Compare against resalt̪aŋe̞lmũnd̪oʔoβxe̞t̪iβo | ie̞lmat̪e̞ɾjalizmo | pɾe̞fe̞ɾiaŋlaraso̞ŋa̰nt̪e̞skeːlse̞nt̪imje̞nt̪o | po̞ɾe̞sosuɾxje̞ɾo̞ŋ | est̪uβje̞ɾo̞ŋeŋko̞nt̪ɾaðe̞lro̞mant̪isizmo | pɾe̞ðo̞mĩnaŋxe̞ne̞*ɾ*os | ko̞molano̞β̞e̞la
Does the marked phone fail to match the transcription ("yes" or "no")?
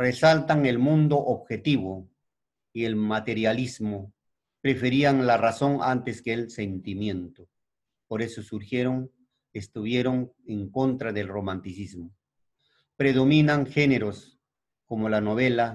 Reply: no